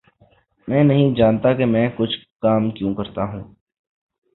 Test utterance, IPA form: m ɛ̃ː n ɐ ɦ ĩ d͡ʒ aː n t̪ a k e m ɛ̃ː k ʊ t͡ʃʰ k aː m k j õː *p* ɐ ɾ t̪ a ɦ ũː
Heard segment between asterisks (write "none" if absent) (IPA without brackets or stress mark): k